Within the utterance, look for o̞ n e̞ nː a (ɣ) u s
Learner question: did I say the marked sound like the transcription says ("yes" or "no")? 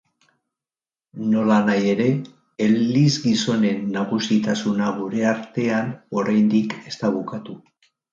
yes